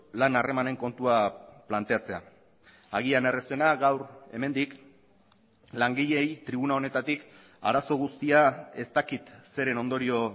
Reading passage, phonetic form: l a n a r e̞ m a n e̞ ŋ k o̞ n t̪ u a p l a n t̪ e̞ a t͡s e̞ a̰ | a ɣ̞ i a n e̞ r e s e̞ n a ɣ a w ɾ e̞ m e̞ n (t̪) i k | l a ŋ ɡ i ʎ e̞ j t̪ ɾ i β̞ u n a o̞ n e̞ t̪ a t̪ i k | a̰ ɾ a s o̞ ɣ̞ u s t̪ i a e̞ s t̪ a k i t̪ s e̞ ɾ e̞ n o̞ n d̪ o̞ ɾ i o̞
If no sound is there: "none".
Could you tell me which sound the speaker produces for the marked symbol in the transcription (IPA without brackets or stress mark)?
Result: d̪